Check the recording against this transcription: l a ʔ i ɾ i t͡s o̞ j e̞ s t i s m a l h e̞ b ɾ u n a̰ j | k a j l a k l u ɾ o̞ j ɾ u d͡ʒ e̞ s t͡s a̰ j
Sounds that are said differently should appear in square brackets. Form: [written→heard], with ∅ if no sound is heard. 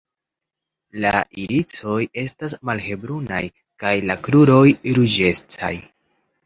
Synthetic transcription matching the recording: l a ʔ i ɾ i t͡s o̞ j e̞ s t [i→a] s m a l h e̞ b ɾ u n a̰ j | k a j l a k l u ɾ o̞ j ɾ u d͡ʒ e̞ s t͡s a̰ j